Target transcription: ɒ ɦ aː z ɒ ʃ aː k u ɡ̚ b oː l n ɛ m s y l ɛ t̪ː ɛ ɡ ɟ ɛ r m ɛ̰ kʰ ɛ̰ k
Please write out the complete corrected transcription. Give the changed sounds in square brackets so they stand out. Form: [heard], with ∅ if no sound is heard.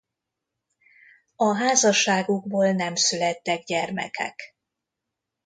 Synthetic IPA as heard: ɒ ɦ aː z ɒ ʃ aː [ɡ] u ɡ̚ b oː l n ɛ m s y l ɛ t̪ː ɛ ɡ ɟ ɛ r m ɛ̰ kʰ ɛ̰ k